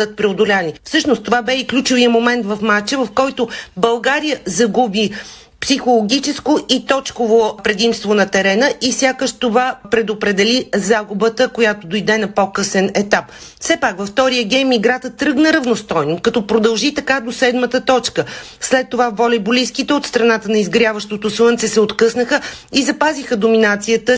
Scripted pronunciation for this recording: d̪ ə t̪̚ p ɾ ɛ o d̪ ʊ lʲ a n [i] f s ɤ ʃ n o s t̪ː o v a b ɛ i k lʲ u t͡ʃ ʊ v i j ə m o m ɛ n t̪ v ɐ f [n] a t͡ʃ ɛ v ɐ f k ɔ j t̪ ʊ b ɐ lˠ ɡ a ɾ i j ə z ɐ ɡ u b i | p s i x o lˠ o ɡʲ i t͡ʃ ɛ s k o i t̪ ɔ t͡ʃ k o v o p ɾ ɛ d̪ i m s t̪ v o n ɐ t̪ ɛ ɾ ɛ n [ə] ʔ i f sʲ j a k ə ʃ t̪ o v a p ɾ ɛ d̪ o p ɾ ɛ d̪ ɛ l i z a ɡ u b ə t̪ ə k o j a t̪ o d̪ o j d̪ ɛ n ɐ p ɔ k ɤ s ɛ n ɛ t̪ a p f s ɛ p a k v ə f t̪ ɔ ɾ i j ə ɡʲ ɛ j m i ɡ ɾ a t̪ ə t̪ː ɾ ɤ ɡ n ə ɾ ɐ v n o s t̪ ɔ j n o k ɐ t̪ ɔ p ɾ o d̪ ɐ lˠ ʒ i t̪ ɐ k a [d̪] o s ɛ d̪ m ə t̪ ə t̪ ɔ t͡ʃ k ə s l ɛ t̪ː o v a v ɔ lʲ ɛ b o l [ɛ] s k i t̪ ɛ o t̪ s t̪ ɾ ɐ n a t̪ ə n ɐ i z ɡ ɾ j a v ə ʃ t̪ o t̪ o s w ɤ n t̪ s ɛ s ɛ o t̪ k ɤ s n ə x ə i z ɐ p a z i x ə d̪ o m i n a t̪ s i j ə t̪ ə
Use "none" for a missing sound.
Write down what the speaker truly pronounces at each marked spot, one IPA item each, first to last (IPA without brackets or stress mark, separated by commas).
i, m, ə, d̪, i